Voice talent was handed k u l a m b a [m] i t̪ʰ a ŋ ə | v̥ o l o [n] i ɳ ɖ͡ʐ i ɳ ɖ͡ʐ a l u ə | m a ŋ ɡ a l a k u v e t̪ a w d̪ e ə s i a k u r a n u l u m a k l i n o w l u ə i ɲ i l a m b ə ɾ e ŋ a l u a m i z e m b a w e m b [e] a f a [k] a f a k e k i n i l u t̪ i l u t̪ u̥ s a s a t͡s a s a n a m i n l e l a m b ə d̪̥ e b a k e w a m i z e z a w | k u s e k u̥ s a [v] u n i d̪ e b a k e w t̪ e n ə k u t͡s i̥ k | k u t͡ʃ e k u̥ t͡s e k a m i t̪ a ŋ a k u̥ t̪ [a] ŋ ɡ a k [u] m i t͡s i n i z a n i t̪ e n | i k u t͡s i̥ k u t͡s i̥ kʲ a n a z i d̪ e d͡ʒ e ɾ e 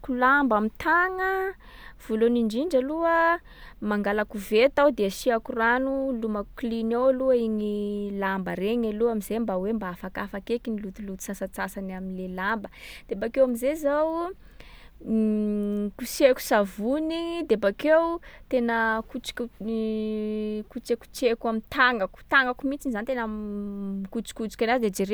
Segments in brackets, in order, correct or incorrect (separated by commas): correct, correct, incorrect, correct, correct, correct, correct